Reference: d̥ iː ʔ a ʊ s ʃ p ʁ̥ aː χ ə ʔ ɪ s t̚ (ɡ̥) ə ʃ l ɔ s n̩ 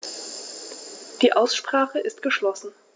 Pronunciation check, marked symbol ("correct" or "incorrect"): correct